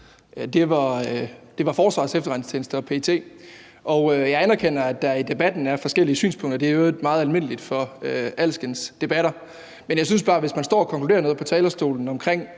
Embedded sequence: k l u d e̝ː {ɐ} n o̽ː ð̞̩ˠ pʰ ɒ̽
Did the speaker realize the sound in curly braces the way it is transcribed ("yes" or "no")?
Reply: yes